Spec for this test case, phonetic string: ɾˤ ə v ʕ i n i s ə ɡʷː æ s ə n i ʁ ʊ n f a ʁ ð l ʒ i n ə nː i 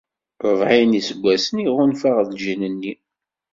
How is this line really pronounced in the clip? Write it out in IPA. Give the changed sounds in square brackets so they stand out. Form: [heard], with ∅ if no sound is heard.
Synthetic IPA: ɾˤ ə v ʕ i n i s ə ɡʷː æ s ə n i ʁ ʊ n f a ʁ ð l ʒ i n ə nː i